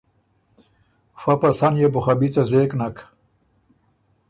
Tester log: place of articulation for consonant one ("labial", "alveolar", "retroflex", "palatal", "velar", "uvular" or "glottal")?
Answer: labial